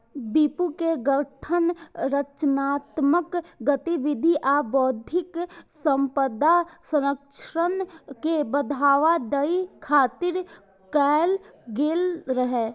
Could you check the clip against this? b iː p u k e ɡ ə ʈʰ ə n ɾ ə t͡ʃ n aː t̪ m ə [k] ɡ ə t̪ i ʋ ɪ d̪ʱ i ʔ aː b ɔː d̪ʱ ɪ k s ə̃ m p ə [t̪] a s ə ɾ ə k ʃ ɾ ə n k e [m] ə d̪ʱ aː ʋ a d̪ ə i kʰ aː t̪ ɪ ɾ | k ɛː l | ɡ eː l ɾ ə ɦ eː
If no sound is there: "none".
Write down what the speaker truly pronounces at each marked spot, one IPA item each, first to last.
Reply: k, d̪, b

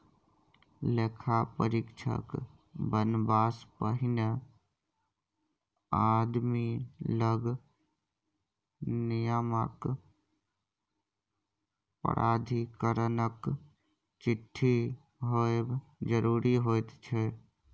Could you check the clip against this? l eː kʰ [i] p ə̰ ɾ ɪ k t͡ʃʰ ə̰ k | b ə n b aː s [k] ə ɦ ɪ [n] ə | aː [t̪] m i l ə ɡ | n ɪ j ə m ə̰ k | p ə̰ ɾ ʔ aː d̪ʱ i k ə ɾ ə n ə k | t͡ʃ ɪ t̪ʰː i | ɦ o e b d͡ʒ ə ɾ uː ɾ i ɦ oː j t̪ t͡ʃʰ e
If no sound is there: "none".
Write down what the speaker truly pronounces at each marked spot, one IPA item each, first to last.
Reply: a, p, n, d̪

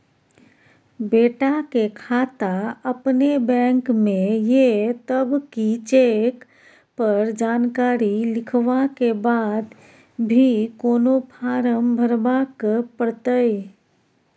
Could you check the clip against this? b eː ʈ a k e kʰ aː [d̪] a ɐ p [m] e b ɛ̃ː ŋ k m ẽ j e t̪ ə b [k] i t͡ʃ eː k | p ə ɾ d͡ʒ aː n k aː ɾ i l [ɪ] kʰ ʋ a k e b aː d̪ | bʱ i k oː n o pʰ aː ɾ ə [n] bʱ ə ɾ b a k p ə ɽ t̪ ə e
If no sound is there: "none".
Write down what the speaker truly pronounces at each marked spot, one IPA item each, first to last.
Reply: t̪, n, k, ɪ, m

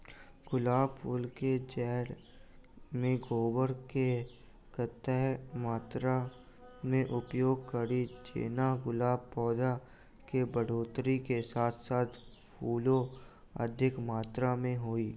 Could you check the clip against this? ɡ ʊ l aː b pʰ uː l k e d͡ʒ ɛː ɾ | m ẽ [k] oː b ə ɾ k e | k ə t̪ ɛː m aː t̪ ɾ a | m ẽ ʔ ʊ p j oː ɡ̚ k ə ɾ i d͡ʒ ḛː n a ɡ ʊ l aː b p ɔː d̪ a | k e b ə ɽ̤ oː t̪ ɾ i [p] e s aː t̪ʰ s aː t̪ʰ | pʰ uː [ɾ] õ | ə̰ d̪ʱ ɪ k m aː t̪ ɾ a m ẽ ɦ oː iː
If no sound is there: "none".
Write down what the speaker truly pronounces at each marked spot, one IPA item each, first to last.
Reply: ɡ, k, l

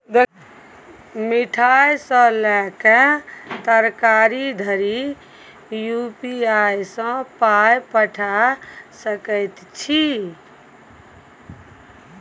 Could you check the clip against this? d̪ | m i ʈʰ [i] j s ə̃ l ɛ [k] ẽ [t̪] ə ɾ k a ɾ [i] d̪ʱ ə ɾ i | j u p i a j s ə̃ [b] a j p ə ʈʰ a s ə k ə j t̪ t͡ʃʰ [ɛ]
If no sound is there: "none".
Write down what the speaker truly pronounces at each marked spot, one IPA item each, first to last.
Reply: a, k, t̪, i, p, i

